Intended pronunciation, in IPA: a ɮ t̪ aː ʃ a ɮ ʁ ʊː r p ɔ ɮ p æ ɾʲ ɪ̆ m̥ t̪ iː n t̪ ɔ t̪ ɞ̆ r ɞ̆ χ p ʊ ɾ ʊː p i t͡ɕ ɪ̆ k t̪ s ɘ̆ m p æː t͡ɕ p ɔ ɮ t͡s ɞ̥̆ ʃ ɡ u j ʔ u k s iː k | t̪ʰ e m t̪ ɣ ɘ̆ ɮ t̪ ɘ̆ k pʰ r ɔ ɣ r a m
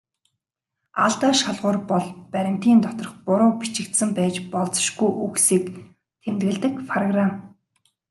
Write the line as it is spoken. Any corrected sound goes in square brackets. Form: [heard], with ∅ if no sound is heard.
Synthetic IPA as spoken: a ɮ t̪ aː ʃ a ɮ ʁ ʊː r p ɔ ɮ p æ ɾʲ ɪ̆ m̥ t̪ iː n t̪ ɔ t̪ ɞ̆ r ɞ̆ χ p ʊ ɾ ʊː p i t͡ɕ ɪ̆ k t̪ s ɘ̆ m p æː t͡ɕ p ɔ ɮ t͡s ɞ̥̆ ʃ ɡ u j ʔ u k s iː k | t̪ʰ e m t̪ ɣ ɘ̆ ɮ t̪ ɘ̆ k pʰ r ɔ ɣ r a m